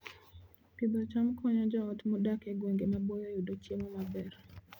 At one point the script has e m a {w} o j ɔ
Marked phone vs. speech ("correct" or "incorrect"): incorrect